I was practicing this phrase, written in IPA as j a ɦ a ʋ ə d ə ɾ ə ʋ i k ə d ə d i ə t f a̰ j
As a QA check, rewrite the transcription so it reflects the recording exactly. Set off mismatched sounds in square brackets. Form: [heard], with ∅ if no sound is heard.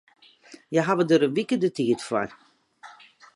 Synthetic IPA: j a ɦ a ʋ ə d ə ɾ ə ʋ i k ə d ə [t] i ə t f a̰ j